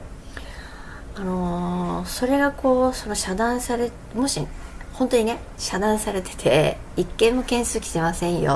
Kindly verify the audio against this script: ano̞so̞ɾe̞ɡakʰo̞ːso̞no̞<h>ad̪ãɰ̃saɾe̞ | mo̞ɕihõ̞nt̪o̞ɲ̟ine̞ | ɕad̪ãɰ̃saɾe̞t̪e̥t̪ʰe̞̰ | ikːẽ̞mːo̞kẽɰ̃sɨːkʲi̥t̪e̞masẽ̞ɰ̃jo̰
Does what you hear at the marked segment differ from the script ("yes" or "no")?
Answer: yes